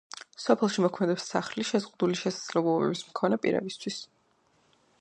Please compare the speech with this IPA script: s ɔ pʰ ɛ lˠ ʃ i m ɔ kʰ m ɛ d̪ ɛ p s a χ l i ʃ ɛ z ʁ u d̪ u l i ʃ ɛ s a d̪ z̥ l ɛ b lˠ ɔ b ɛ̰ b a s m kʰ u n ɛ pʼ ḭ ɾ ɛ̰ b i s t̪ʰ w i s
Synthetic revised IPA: s ɔ pʰ ɛ lˠ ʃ i m ɔ kʰ m ɛ d̪ ɛ p s a χ l i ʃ ɛ z ʁ u d̪ u l i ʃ ɛ s a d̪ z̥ l ɛ b lˠ ɔ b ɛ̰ b i s m kʰ ɔ n ɛ pʼ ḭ ɾ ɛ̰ b i s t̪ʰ w i s